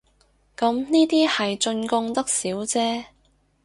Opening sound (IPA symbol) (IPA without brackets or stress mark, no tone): k